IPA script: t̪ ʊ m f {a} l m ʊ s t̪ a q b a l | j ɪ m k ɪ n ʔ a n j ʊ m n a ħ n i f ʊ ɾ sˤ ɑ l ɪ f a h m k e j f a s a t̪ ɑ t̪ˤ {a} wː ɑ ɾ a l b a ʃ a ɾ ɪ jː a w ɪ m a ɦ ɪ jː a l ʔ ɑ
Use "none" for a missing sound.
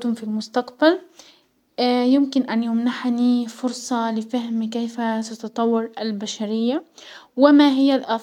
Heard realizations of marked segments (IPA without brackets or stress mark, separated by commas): i, ɑ